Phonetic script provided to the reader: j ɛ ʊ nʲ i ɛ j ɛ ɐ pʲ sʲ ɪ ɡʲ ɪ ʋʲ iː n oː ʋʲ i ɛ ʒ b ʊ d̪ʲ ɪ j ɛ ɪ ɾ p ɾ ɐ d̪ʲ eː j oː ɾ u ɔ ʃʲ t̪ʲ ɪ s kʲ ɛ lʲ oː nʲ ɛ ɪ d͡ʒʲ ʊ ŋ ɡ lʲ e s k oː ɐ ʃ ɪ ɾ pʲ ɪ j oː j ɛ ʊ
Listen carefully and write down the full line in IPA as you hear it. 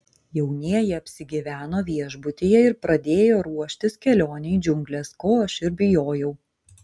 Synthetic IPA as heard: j ɛ ʊ nʲ i ɛ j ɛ ɐ pʲ sʲ ɪ ɡʲ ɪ ʋʲ æː n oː ʋʲ i ɛ ʒ b ʊ t̪ʲ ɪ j ɛ ɪ ɾ p ɾ ɐ d̪ʲ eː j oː ɾ u ɔ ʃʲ t̪ʲ ɪ s kʲ ɛ lʲ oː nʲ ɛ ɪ d͡ʒʲ ʊ ŋ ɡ lʲ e s k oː ɐ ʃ ɪ ɾ bʲ ɪ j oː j ɛ ʊ